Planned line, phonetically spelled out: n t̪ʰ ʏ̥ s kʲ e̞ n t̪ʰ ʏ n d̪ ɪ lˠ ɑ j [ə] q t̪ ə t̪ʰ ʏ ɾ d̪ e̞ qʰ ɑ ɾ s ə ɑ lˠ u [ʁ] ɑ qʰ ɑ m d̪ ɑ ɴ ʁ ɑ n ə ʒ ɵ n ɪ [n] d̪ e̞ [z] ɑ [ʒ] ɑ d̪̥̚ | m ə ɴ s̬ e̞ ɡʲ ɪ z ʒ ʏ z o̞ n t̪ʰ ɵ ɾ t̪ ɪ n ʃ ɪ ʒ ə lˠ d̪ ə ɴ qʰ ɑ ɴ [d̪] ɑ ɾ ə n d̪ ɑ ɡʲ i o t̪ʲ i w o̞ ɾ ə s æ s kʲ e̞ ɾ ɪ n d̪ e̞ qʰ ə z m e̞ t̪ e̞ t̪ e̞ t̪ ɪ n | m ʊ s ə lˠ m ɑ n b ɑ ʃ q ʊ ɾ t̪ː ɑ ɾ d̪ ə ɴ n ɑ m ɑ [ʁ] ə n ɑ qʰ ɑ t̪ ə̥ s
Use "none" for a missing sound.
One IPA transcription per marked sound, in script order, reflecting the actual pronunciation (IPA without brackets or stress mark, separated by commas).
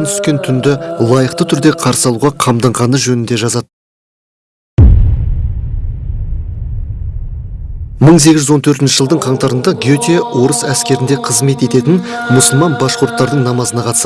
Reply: ə, ʁ, n, ʒ, z, t̪, z